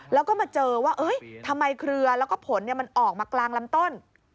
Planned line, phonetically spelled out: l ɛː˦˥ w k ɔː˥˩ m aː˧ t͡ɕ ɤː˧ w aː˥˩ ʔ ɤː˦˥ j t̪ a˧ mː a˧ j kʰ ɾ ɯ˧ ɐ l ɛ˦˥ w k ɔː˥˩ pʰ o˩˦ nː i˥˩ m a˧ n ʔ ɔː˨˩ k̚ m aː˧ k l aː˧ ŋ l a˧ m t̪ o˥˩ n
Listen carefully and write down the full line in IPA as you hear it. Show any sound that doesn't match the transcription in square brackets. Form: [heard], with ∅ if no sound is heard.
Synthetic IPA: l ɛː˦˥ w k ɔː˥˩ m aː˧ t͡ɕ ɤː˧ w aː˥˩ ʔ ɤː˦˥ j [t̪ʰ] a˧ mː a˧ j kʰ ɾ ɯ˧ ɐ l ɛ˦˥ w k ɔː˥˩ pʰ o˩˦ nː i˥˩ m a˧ n ʔ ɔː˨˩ k̚ m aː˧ k l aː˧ ŋ l [a˦˥] m t̪ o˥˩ n